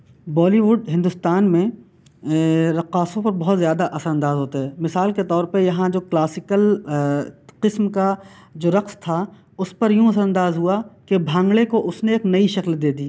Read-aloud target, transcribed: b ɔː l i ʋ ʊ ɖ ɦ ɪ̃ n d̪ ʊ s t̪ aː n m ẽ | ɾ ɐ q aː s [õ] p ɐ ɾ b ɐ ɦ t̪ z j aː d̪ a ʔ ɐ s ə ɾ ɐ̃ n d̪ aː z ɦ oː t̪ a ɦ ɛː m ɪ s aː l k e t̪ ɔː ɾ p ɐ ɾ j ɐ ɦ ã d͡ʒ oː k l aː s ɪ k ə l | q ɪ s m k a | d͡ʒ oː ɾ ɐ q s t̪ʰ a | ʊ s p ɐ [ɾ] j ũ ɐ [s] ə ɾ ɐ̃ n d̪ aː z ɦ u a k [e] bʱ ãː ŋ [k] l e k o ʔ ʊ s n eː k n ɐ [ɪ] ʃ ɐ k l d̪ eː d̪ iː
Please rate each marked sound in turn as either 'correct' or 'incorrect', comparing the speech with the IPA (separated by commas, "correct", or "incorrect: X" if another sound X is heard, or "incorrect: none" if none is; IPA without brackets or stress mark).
correct, correct, correct, correct, incorrect: ɡ, incorrect: i